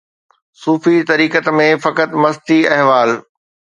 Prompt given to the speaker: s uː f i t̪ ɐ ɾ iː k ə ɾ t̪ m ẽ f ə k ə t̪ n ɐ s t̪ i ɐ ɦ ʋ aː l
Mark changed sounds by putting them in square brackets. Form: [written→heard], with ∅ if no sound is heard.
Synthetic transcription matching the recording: s uː f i t̪ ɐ ɾ iː k ə [ɾ→∅] t̪ m ẽ f [ə→ɐ] k ə t̪ [n→m] ɐ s t̪ i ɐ ɦ ʋ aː l